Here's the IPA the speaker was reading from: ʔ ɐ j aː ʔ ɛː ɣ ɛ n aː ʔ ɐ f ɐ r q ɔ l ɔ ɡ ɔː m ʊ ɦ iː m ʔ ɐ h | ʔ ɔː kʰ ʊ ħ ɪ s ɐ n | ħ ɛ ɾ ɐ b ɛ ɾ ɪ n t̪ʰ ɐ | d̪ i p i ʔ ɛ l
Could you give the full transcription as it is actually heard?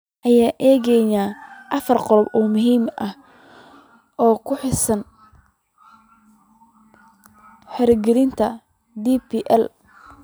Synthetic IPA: ʔ ɐ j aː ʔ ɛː ɣ ɛ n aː ʔ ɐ f ɐ r q ɔ l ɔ b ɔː m ʊ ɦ iː m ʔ ɐ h | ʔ ɔː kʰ ʊ ħ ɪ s ɐ n | ħ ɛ ɾ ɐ ɡ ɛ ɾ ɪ n t̪ʰ ɐ | d̪ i p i ʔ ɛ l

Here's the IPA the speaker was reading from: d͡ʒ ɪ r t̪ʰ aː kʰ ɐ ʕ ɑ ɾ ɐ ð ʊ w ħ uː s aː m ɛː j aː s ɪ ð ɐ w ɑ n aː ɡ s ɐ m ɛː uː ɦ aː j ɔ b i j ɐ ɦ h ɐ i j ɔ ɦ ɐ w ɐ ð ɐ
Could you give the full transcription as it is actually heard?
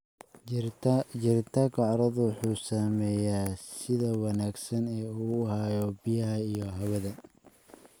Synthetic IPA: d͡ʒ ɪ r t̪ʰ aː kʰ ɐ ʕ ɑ ɾ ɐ ð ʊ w ħ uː s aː m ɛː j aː s ɪ ð ɐ w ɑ n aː ɡ s ɐ n ɛː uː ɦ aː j ɔ b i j ɐ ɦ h ɐ i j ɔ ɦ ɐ w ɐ ð ɐ

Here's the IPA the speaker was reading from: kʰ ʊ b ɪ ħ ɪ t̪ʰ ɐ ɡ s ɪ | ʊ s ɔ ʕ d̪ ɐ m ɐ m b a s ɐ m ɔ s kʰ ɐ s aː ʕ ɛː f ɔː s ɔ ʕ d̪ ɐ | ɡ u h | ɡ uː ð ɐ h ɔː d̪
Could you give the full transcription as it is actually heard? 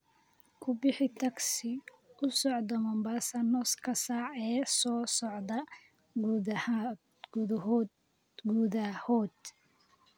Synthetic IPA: kʰ ʊ b ɪ ħ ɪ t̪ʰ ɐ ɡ s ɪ | ʊ s ɔ ʕ d̪ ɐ m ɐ m b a s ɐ n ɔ s kʰ ɐ s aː ʕ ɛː s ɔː s ɔ ʕ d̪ ɐ | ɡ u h | ɡ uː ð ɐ h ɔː d̪

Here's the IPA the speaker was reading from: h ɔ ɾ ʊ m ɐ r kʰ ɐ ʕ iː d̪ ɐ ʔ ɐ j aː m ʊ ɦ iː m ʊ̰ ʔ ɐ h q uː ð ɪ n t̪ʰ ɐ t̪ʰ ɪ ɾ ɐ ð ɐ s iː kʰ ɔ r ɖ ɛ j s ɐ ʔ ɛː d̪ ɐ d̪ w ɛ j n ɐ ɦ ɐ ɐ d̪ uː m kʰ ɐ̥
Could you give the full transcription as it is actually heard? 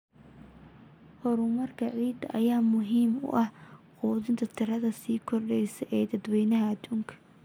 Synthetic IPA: h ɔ ɾ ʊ m ɐ r kʰ ɐ ʕ iː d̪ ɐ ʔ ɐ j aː m ʊ ɦ iː m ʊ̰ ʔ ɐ h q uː ð ɪ n t̪ʰ ɐ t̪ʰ ɪ ɾ ɐ ð ɐ s iː kʰ ɔ r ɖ ɛ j s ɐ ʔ ɛː d̪ ɐ d̪ w ɛ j n ɐ ɦ ɐ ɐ d̪ uː ŋ kʰ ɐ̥

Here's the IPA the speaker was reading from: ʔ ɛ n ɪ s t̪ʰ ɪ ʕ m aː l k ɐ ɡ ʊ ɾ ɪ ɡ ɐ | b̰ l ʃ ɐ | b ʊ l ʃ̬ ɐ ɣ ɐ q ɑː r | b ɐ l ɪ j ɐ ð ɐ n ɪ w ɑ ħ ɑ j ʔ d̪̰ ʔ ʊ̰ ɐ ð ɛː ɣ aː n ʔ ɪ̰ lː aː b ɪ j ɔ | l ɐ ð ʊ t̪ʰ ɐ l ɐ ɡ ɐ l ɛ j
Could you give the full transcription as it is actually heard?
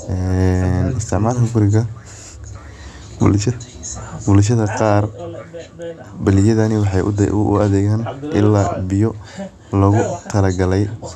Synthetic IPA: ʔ ɛ n ɪ s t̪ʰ ɪ ʕ m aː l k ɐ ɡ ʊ ɾ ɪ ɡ ɐ | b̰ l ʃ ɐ | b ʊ l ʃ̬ ɐ ð ɐ q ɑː r | b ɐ l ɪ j ɐ ð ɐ n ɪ w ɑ ħ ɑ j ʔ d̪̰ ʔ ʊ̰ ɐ ð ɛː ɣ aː n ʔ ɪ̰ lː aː b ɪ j ɔ | l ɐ ɣ ʊ t̪ʰ ɐ l ɐ ɡ ɐ l ɛ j

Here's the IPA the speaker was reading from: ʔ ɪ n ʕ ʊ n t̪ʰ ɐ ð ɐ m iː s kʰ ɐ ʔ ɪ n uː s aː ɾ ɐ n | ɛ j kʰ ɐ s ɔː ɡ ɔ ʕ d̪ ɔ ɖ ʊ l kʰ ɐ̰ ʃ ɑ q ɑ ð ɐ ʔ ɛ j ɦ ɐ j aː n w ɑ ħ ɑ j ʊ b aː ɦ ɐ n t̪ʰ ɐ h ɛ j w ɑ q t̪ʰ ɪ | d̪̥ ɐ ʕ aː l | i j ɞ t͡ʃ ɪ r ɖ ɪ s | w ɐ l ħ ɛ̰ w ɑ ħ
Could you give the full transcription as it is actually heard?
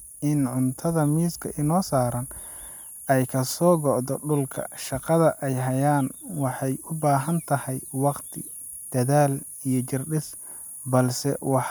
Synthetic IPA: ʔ ɪ n ʕ ʊ n t̪ʰ ɐ ð ɐ m iː s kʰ ɐ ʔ ɪ n ɔː s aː ɾ ɐ n | ɛ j kʰ ɐ s ɔː ɡ ɔ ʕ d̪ ɔ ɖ ʊ l kʰ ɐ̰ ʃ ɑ q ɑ ð ɐ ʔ ɛ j ɦ ɐ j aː n w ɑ ħ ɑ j ʊ b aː ɦ ɐ n t̪ʰ ɐ h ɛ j w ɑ q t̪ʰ ɪ | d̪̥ ɐ ð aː l | i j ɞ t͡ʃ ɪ r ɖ ɪ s | b ɐ l s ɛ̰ w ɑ ħ

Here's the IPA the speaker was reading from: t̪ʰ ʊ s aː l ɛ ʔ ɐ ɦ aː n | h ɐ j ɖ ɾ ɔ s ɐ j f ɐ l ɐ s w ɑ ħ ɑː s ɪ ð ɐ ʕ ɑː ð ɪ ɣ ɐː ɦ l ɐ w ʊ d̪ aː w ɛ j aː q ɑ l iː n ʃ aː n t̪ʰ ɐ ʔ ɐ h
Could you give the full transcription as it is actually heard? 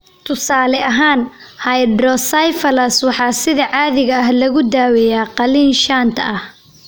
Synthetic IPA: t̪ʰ ʊ s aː l ɛ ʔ ɐ ɦ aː n | h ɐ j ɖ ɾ ɔ s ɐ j f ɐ l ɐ s w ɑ ħ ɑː s ɪ ð ɐ ʕ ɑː ð ɪ ɣ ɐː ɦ l ɐ ɣ ʊ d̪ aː w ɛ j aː q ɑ l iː n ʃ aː n t̪ʰ ɐ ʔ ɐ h

